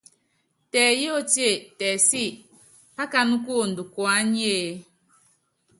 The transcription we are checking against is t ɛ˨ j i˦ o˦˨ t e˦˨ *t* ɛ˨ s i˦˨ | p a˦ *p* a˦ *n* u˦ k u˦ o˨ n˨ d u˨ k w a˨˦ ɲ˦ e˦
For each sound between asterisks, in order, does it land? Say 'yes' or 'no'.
yes, no, yes

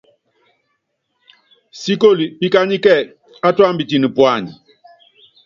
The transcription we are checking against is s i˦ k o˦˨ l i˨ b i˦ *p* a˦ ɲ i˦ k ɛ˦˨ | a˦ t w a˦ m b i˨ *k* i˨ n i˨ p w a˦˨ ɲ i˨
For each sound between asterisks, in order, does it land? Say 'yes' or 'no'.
no, no

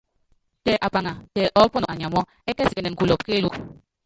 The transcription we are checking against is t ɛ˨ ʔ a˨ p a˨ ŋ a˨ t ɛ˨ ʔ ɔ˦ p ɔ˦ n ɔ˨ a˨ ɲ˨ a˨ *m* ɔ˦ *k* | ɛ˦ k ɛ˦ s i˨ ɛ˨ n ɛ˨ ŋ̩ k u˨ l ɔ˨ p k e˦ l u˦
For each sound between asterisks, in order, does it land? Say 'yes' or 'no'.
yes, no

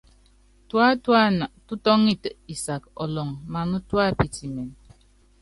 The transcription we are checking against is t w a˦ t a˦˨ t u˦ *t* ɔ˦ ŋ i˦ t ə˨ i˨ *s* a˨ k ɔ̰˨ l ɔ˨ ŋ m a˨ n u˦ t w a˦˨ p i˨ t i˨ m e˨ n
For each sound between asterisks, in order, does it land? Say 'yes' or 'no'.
yes, yes

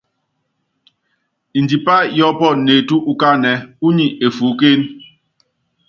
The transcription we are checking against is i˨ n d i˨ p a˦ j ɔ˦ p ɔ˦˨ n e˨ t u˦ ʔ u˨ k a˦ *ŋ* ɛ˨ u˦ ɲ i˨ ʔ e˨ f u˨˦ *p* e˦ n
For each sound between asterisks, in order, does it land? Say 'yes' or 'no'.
no, no

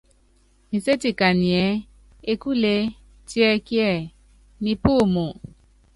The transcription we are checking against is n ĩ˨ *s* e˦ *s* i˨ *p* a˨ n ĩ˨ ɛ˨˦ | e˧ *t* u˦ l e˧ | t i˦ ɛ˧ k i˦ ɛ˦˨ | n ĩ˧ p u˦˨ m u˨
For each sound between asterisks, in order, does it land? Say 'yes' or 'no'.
yes, no, no, no

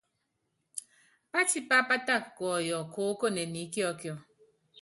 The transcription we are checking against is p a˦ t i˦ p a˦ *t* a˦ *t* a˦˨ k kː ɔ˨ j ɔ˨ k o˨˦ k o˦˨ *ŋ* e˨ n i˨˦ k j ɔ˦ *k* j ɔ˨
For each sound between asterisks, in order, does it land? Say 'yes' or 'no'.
no, yes, no, yes

